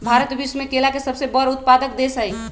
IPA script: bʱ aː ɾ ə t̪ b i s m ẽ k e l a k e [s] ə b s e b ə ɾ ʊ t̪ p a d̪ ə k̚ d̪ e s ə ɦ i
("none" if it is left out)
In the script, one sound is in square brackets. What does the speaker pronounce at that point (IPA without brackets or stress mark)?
s